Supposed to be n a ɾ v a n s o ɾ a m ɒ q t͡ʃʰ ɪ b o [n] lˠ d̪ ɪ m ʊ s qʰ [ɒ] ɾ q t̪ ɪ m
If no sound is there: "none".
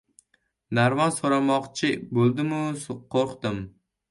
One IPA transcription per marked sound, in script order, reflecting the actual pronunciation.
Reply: none, o

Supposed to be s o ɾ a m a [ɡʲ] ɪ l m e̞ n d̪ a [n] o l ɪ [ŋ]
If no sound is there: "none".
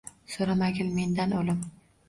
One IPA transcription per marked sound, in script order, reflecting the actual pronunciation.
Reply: ɡʲ, n, m

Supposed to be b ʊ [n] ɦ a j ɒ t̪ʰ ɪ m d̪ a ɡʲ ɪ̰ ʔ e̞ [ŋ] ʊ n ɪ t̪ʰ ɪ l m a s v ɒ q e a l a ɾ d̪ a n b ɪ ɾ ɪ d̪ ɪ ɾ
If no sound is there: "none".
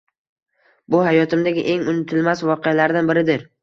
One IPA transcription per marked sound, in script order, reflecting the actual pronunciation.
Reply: none, ŋ

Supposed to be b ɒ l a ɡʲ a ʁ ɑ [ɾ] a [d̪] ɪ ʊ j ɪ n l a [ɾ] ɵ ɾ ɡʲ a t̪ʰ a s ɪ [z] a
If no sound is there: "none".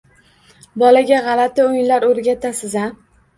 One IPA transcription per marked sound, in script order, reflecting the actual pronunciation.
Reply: l, t̪, ɾ, z

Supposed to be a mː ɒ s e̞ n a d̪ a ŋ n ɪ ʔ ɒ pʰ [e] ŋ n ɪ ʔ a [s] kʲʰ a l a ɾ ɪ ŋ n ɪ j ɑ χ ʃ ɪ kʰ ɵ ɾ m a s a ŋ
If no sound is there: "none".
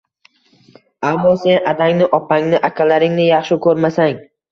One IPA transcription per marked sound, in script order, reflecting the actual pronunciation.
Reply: a, none

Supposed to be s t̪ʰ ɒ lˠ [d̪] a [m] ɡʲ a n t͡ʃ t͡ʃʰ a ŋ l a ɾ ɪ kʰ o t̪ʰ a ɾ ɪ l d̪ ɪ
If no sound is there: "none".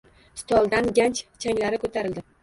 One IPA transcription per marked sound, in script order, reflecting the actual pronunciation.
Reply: d̪, n

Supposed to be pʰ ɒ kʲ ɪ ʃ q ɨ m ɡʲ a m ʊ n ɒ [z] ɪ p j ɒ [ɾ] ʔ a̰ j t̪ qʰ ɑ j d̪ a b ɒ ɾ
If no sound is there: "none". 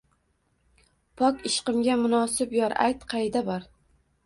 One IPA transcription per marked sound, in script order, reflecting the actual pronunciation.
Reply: s, ɾ

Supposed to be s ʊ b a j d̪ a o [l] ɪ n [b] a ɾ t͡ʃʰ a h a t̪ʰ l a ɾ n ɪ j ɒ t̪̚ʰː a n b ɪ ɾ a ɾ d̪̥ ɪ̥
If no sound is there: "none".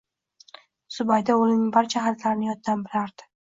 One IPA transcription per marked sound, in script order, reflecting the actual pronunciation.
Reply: l, b

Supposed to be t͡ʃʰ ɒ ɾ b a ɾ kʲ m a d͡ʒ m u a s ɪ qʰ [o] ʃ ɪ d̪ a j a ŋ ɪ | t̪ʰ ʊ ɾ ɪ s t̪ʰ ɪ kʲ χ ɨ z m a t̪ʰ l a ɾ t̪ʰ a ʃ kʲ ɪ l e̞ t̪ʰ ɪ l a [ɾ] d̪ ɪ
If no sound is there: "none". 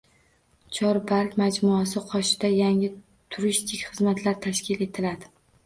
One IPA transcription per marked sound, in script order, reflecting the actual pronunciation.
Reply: ɒ, none

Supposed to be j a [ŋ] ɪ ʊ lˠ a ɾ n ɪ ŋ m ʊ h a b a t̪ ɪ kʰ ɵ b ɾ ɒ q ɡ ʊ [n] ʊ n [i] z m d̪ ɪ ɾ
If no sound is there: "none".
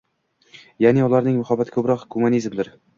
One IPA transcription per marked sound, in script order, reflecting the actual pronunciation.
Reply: n, m, i

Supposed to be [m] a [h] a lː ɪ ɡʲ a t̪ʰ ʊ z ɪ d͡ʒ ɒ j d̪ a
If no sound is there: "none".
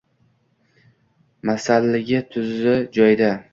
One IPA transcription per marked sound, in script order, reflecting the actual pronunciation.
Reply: m, s

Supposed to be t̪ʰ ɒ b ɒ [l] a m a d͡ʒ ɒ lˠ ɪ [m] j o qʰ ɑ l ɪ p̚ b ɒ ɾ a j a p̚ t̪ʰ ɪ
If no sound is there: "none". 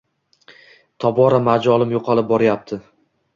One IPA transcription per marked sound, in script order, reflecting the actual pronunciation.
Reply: ɾ, m

